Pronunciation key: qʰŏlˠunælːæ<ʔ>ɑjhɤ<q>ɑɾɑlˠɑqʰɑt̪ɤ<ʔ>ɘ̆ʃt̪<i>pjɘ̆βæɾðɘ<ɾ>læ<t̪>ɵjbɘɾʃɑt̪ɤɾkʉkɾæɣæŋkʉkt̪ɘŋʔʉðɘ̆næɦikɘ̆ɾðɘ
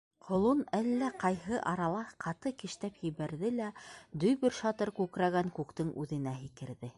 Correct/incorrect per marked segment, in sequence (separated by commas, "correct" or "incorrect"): incorrect, incorrect, incorrect, incorrect, incorrect, incorrect